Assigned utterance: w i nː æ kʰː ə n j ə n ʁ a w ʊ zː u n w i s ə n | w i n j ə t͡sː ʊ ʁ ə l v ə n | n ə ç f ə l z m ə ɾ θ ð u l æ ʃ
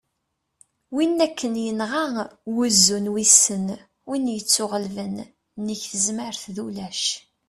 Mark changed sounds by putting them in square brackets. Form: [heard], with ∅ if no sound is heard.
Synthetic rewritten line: w i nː æ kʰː ə n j ə n ʁ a w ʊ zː u n w i s ə n | w i n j ə t͡sː ʊ ʁ ə l v ə n | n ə ç [θ] ə [∅] z m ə ɾ θ ð u l æ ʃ